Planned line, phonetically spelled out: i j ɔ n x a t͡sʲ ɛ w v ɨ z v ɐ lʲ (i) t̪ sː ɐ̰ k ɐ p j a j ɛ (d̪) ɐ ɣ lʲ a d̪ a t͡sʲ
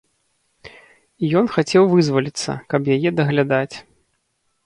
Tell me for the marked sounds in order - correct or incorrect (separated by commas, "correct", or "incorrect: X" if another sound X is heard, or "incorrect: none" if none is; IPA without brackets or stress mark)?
correct, correct